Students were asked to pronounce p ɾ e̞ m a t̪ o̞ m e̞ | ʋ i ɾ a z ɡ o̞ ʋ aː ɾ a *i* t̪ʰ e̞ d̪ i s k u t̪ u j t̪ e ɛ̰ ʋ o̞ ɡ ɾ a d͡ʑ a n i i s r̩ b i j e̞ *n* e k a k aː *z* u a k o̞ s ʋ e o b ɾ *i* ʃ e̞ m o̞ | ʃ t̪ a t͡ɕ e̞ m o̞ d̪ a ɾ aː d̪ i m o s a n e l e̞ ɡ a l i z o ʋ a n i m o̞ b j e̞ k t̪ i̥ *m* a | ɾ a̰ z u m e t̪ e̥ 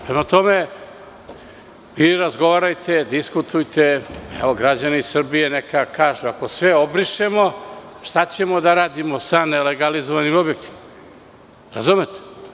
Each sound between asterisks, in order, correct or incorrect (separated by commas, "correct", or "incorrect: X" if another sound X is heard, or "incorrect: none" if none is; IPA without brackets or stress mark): incorrect: j, correct, incorrect: ʒ, correct, correct